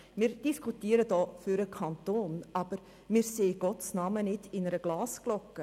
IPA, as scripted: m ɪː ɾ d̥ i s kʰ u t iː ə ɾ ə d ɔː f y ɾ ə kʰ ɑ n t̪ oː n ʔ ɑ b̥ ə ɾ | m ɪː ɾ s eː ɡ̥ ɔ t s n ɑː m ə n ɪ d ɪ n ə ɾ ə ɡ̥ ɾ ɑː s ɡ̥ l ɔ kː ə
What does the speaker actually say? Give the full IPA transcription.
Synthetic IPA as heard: m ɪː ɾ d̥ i s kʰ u t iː ə ɾ ə d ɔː f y ɾ ə kʰ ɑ n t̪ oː n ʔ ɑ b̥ ə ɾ | m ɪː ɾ s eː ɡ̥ ɔ t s n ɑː m ə n ɪ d ɪ n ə ɾ ə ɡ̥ l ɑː s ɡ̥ l ɔ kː ə